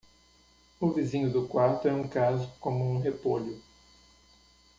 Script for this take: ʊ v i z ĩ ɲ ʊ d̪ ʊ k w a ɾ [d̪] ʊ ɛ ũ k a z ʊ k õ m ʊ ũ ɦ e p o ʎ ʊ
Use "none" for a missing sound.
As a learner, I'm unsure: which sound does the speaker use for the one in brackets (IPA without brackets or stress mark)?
t̪